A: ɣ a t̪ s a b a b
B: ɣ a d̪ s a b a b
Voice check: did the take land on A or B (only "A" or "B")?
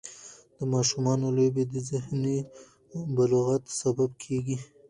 A